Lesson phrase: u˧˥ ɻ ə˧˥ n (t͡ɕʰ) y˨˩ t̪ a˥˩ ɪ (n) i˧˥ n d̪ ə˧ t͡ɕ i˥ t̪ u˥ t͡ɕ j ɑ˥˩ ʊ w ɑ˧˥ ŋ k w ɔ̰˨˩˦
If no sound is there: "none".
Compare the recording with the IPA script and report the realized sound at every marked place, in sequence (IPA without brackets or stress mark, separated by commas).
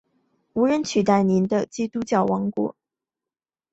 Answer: t͡ɕʰ, n